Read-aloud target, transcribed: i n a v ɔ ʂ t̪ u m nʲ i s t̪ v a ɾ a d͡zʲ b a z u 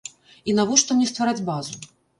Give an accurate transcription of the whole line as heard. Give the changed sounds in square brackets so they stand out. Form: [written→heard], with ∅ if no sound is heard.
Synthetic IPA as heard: i n a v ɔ ʂ t̪ [u→ɔ] m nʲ [i→ɛ] s t̪ v a ɾ a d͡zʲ b a z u